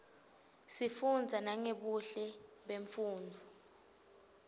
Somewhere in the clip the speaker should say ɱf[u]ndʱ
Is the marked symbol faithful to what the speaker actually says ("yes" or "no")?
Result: no